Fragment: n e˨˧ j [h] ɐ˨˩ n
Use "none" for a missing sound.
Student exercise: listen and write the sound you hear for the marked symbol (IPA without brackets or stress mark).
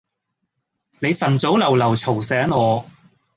s